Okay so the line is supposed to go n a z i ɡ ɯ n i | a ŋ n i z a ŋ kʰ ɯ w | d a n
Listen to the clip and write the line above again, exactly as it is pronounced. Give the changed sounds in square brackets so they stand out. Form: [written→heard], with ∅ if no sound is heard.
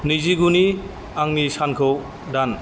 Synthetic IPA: n [a→i] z i ɡ [ɯ→u] n i | a ŋ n i [z→s] a [ŋ→n] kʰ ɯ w | d a n